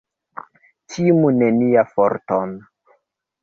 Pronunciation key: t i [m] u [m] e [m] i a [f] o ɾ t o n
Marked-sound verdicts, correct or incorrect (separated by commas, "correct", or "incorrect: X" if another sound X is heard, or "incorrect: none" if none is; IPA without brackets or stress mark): correct, incorrect: n, incorrect: n, correct